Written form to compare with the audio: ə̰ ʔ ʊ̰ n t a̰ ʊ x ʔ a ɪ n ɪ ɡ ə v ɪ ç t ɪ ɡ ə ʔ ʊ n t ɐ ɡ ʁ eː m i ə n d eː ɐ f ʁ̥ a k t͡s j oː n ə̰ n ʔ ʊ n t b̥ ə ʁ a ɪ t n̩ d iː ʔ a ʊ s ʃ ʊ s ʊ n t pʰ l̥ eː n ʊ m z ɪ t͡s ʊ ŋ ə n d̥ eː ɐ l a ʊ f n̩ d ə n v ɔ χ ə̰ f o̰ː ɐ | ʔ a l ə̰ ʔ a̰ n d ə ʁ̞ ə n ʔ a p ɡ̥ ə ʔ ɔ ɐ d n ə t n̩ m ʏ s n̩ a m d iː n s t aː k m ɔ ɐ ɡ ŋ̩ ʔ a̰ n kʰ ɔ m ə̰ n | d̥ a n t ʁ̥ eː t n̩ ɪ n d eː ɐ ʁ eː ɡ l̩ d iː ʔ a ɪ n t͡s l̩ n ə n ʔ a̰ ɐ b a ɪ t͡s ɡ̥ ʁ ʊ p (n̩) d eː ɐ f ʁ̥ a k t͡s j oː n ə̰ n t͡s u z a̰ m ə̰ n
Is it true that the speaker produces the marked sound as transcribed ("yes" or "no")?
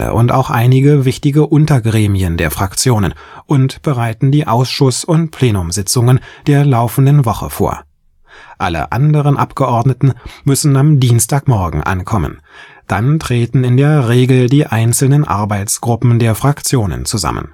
no